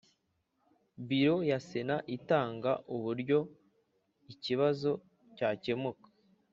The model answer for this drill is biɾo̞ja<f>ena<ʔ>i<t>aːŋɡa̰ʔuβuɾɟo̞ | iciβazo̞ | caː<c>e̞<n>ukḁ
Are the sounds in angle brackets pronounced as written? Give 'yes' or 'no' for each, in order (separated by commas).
no, yes, yes, yes, no